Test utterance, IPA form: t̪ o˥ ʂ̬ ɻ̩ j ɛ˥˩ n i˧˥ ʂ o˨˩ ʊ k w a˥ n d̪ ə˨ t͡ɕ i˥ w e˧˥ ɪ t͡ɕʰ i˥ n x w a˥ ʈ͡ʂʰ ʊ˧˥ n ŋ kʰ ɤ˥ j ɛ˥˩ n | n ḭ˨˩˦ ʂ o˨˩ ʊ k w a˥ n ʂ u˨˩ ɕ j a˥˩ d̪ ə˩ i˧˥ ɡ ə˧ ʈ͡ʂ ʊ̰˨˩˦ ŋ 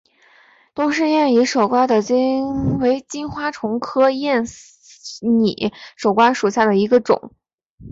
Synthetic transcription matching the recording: t̪ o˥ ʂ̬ ɻ̩ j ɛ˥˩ n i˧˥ ʂ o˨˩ ʊ k w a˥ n d̪ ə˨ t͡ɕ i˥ w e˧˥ ɪ t͡ɕ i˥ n x w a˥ ʈ͡ʂʰ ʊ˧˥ ŋ kʰ ɤ˥ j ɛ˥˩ n | n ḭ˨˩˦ ʂ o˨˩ ʊ k w a˥ n ʂ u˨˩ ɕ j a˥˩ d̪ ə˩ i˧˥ ɡ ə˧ ʈ͡ʂ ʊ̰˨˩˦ ŋ